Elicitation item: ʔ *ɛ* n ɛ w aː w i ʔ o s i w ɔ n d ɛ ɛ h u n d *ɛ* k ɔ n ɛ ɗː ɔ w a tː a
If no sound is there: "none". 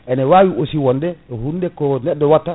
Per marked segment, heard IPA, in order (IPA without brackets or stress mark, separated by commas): ɛ, ɛ